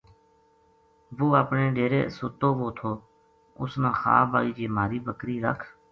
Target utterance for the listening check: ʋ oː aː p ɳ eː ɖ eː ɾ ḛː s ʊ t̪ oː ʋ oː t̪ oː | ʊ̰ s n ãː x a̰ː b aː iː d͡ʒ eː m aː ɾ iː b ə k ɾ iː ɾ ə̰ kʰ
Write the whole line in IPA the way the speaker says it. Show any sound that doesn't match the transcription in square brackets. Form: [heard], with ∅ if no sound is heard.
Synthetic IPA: ʋ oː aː p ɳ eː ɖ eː ɾ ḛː s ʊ t̪ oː ʋ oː [t̪ʰ] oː | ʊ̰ s n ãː x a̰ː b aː iː d͡ʒ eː m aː ɾ iː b ə k ɾ iː ɾ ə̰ kʰ